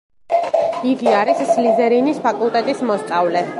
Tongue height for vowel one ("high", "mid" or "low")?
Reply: high